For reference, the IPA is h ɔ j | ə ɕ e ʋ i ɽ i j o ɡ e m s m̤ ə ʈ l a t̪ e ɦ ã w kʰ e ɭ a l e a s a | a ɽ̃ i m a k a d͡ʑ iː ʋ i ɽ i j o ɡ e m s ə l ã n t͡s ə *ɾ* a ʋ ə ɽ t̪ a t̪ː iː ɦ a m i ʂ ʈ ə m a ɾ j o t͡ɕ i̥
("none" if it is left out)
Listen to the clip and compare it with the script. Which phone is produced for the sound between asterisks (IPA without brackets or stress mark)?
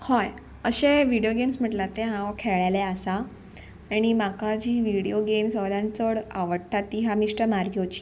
ɽ